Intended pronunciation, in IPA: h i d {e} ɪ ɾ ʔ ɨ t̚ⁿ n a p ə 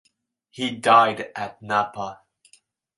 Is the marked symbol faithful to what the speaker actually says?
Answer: no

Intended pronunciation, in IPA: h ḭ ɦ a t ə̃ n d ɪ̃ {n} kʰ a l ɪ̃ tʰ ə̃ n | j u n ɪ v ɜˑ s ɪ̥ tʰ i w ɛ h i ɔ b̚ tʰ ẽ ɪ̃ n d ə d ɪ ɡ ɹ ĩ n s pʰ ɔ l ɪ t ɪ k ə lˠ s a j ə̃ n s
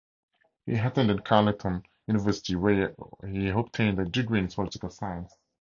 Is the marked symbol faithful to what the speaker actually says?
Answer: yes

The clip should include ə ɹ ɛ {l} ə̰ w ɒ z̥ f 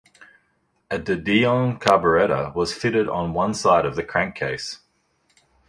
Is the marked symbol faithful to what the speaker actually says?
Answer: no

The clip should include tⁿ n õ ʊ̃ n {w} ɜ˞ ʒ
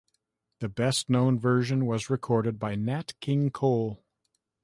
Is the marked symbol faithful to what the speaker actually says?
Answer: no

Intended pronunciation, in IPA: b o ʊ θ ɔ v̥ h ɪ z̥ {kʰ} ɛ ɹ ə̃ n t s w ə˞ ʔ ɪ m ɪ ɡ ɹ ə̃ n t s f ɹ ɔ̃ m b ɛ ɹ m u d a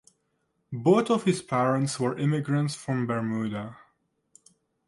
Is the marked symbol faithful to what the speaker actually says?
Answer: no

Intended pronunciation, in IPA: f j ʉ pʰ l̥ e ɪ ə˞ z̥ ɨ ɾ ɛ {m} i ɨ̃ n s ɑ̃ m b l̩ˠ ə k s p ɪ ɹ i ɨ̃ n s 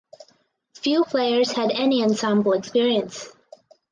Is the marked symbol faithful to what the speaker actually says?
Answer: no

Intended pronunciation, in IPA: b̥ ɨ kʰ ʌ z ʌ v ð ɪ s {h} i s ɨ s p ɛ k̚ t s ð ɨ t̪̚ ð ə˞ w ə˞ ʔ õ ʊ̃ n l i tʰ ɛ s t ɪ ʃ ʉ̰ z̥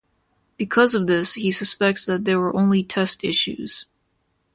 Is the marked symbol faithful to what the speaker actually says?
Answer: yes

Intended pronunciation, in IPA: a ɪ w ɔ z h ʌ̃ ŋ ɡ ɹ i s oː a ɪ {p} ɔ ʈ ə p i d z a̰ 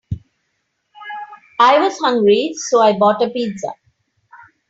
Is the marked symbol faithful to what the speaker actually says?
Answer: no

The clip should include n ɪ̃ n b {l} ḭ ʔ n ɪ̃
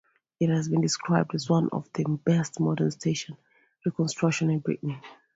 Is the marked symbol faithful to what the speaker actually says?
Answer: no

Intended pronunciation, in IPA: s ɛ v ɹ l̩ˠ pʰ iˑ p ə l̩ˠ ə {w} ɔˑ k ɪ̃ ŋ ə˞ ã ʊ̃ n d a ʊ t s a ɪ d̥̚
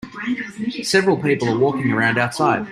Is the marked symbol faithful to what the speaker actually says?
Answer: yes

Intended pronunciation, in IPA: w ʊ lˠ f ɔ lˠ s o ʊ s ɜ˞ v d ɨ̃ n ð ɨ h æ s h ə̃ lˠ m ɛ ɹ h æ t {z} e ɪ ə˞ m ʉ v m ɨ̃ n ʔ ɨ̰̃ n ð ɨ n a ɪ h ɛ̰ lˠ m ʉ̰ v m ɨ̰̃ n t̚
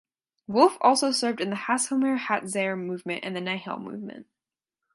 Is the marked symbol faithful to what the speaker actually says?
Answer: yes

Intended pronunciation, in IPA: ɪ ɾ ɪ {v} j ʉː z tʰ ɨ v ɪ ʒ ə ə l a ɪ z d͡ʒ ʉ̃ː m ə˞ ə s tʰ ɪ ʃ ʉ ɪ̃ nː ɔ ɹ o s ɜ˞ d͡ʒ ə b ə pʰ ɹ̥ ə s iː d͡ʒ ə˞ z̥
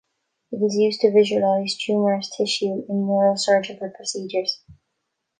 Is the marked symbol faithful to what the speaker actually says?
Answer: no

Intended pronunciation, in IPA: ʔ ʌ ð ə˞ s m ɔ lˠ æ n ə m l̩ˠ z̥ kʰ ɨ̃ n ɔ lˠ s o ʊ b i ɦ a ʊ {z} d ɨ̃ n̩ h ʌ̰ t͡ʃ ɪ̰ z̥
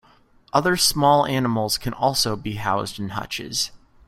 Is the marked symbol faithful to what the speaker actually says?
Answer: yes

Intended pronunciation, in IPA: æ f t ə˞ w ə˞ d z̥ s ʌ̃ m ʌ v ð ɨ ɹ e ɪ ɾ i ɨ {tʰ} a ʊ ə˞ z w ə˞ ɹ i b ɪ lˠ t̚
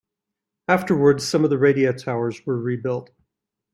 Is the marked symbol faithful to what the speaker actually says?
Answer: yes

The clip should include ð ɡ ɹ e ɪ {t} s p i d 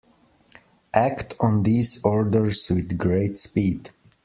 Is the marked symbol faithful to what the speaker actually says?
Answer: yes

